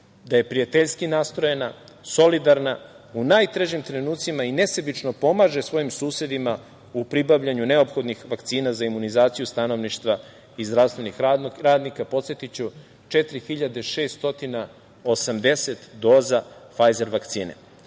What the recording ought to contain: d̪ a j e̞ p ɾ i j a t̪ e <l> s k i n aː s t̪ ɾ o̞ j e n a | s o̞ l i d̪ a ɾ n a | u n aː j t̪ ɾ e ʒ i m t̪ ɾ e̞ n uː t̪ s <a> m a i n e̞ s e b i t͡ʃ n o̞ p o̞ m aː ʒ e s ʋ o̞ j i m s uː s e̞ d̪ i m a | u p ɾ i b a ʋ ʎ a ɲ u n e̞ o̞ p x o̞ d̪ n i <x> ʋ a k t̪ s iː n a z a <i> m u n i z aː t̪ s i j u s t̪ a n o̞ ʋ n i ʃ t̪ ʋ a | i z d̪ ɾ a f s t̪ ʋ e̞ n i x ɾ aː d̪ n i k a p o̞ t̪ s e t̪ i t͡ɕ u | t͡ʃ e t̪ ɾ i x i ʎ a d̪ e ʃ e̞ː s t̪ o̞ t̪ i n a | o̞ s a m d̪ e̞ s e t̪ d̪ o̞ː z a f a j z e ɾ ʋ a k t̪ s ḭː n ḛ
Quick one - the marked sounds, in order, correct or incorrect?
incorrect: ʎ, incorrect: i, correct, correct

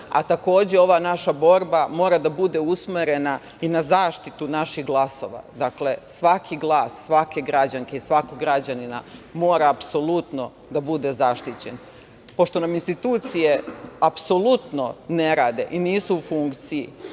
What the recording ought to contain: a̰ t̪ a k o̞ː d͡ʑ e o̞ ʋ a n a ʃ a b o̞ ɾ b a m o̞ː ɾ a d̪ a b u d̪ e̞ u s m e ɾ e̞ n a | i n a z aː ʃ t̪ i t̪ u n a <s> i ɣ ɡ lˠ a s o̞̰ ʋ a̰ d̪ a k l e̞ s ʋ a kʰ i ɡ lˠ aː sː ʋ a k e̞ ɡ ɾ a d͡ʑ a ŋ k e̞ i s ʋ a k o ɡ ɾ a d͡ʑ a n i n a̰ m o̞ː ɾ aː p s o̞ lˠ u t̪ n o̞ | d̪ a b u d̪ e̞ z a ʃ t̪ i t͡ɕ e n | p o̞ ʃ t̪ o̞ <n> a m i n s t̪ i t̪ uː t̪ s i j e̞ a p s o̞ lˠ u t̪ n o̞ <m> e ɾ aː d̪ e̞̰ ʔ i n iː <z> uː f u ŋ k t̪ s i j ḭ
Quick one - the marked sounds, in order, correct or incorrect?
incorrect: ʃ, correct, incorrect: n, incorrect: s

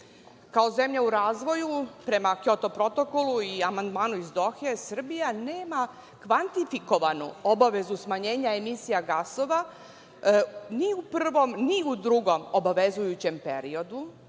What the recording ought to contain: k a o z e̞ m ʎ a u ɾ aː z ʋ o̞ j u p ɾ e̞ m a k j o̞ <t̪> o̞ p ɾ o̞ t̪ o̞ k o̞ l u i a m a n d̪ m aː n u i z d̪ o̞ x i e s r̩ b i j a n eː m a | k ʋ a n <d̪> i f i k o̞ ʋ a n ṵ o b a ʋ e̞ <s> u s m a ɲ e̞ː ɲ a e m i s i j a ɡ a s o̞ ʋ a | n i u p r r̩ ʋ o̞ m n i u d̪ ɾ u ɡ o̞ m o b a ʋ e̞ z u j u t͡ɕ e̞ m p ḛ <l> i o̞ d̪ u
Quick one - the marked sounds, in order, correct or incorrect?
correct, incorrect: t̪, incorrect: z, incorrect: ɾ

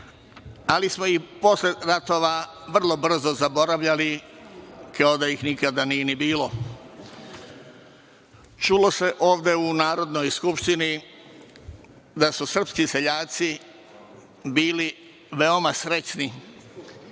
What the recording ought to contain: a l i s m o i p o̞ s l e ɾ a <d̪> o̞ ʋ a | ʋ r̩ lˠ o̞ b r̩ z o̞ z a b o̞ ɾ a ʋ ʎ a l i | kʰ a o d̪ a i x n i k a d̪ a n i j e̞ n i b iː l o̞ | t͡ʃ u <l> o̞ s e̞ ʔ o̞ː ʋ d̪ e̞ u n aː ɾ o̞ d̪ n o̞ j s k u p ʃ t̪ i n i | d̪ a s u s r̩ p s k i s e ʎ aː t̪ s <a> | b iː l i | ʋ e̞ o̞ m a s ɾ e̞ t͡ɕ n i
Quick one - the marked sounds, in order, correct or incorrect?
incorrect: t̪, correct, incorrect: i

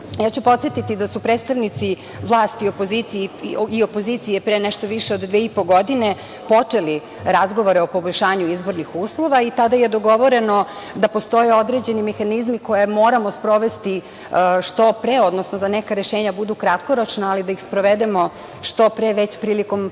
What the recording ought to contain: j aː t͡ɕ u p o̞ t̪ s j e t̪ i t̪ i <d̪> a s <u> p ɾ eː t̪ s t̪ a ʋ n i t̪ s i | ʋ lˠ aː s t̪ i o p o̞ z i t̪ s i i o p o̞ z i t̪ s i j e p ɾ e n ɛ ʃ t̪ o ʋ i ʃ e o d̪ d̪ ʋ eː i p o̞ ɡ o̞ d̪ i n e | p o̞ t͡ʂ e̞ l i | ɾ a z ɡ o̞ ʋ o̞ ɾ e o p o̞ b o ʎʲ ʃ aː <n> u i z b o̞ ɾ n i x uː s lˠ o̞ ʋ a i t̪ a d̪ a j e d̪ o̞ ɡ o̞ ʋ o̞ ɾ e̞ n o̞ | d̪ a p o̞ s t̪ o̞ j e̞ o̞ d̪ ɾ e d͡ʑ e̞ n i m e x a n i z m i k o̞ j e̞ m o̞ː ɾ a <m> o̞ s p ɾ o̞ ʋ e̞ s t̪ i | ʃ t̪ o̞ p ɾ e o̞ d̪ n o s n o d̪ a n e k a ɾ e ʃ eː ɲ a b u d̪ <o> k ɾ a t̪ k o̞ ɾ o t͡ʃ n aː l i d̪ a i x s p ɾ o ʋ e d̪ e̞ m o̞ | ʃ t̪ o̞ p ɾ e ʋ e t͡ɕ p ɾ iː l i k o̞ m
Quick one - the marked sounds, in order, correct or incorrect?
correct, correct, incorrect: ɲ, correct, incorrect: u

